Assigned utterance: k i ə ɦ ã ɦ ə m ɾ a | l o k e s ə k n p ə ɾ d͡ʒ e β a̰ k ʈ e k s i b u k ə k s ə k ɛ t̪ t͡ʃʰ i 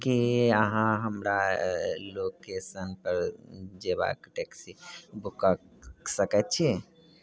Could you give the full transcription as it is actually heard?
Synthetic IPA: k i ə ɦ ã ɦ ə m ɾ a | l o k e s ə n p ə ɾ d͡ʒ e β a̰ k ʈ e k s i b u k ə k s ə k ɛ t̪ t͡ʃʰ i